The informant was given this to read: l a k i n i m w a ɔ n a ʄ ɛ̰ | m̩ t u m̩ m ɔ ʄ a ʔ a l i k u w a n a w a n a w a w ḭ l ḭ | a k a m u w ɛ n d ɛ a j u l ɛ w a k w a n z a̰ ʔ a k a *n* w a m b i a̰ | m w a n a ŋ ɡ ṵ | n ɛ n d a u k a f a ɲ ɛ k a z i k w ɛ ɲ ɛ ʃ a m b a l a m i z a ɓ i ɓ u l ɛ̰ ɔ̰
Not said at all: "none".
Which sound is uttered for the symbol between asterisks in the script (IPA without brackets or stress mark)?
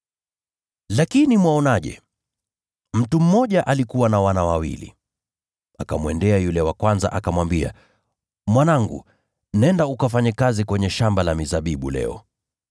m